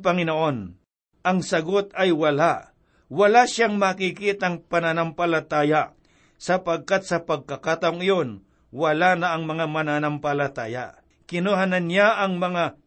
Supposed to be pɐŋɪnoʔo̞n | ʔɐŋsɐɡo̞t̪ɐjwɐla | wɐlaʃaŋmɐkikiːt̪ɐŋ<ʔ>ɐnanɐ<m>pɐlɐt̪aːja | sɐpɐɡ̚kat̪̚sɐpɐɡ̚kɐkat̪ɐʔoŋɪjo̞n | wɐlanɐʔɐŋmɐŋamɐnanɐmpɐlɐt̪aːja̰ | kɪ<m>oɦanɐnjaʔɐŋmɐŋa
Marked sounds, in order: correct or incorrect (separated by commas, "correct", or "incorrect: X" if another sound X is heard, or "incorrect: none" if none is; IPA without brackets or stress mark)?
incorrect: p, correct, incorrect: n